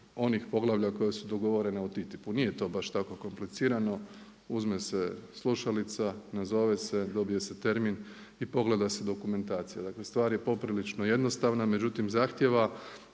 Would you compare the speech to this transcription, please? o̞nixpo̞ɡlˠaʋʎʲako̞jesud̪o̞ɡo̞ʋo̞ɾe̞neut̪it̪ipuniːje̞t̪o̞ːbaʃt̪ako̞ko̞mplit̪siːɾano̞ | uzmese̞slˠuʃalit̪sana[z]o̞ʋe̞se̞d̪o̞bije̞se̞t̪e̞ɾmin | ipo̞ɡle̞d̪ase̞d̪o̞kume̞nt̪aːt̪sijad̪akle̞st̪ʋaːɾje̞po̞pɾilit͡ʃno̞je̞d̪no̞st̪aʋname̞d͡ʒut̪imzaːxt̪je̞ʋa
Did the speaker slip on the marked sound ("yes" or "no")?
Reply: no